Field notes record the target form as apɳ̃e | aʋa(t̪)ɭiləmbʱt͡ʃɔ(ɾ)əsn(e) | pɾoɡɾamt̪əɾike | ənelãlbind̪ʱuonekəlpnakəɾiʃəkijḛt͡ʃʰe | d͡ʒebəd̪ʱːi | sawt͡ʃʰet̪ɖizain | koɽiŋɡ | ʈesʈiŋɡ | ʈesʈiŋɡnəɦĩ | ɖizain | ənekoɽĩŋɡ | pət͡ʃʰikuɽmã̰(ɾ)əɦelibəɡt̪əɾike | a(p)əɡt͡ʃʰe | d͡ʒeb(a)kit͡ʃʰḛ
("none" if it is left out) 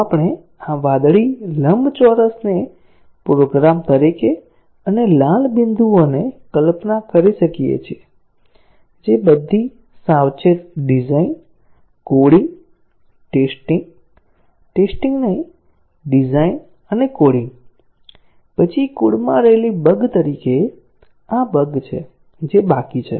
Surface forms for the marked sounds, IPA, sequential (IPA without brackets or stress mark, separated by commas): d̪, ɾ, e, ɾ, b, a